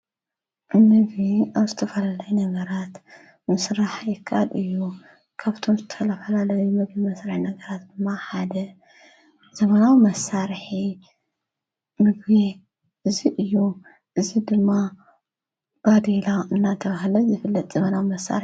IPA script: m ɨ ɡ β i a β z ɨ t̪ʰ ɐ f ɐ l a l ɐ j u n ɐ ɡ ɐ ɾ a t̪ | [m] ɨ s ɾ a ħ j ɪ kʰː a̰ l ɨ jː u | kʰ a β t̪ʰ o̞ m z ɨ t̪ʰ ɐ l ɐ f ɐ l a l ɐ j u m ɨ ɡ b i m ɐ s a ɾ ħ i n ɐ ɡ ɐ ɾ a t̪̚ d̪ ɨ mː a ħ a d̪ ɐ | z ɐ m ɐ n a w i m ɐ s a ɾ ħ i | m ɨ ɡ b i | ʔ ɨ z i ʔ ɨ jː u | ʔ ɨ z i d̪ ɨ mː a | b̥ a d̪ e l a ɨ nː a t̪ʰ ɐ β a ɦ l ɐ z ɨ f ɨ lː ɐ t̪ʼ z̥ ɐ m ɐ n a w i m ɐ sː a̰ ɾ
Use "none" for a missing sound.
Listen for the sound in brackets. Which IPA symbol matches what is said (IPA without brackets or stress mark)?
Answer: m